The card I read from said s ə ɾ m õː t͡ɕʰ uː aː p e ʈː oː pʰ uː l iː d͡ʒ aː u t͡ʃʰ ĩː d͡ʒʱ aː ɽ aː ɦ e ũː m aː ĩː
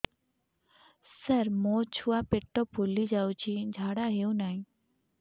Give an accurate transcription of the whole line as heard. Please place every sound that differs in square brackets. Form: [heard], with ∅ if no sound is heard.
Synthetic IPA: s ə ɾ m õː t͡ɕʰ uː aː p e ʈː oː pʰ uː l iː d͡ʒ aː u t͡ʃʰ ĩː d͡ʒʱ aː ɽ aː ɦ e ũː [n] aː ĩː